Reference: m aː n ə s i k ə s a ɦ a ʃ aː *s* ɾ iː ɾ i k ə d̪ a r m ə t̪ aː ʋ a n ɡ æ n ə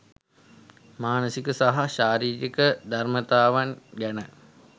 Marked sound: incorrect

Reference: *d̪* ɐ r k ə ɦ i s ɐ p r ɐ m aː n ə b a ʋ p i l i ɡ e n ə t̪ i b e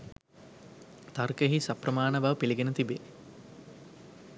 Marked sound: incorrect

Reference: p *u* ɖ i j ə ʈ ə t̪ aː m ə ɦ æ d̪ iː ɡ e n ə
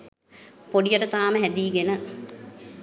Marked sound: incorrect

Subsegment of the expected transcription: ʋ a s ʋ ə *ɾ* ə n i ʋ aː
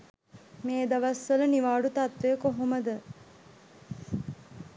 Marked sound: incorrect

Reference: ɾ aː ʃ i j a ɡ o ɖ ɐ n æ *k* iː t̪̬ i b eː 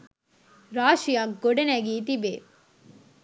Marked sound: incorrect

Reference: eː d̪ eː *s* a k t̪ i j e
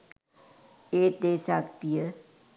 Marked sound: correct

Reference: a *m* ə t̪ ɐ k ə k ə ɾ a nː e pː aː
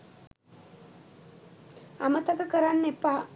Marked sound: correct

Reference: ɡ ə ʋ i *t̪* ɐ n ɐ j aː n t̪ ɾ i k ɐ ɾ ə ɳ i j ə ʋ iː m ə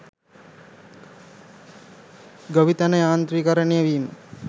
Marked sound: correct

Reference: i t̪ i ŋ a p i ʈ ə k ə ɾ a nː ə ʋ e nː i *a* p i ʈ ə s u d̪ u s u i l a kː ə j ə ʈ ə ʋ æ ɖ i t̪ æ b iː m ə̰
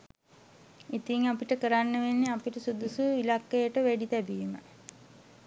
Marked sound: correct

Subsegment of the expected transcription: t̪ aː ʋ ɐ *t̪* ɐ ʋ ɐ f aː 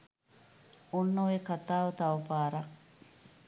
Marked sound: correct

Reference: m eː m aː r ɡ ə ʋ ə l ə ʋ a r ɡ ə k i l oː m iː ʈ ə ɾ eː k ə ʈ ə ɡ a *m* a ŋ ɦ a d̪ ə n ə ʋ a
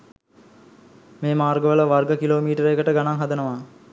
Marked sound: incorrect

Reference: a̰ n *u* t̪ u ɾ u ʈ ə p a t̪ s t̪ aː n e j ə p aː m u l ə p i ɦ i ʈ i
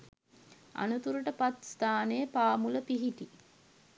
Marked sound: correct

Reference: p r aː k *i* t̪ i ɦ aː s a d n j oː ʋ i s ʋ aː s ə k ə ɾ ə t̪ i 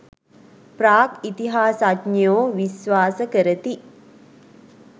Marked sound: correct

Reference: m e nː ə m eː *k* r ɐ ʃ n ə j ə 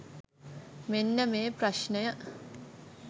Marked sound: incorrect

